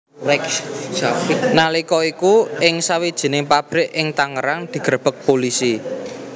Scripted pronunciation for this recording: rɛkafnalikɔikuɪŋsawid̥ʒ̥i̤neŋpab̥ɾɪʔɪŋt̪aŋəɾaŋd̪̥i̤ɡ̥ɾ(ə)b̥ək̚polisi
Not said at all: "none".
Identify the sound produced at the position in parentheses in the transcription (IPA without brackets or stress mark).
ə